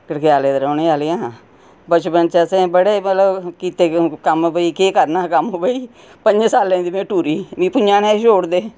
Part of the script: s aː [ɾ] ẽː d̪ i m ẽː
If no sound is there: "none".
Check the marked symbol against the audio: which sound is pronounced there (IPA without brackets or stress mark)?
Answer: l